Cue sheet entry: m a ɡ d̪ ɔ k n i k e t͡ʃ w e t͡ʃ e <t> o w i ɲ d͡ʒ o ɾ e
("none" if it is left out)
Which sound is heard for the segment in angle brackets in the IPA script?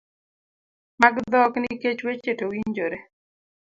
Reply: t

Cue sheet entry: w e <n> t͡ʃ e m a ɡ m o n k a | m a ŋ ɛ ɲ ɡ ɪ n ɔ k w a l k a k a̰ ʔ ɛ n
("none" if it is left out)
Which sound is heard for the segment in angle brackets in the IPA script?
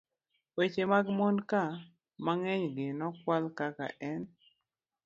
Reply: none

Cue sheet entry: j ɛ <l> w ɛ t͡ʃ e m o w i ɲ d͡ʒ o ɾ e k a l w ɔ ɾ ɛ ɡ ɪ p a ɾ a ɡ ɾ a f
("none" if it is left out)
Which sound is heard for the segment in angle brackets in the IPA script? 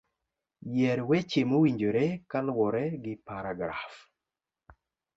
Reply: ɾ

